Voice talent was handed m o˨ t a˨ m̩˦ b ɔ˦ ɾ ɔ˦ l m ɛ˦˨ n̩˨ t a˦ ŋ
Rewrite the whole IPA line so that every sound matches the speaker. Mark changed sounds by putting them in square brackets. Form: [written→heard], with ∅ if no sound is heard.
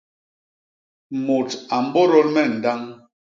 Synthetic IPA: m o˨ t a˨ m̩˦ b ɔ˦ ɾ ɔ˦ l m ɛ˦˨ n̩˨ [t→d] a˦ ŋ